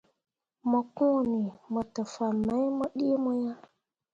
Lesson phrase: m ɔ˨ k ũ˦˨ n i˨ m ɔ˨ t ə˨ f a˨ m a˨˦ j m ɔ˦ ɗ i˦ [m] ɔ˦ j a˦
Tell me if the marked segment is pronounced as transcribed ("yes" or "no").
yes